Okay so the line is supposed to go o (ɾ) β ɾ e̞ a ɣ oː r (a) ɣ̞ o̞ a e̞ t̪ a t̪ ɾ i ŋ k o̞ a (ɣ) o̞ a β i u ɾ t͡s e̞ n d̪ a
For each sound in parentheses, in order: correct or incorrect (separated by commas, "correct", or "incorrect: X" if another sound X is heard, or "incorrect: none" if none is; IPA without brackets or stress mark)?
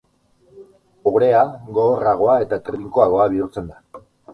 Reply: incorrect: none, correct, correct